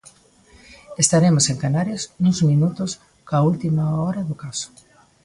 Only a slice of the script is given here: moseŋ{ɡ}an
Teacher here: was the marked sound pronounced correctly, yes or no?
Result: no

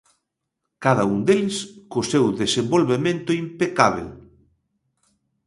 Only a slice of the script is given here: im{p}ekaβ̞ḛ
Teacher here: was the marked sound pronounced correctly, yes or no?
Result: yes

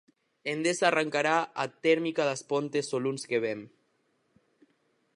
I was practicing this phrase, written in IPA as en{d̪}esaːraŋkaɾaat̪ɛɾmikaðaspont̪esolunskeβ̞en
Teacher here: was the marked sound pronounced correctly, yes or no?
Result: yes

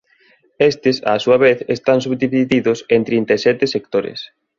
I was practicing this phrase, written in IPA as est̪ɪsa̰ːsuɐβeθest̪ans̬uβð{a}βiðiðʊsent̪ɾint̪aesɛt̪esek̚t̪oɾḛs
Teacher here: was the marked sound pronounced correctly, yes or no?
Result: no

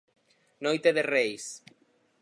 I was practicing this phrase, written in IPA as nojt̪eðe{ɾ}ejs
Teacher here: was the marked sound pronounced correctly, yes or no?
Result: no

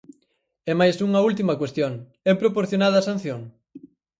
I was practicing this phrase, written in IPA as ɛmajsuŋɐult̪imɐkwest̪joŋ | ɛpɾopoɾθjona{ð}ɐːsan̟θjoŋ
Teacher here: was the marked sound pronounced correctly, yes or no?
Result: yes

